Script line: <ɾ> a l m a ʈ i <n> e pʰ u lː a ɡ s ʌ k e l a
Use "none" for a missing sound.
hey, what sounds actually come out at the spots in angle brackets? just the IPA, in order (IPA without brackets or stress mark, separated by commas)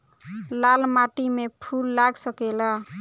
l, m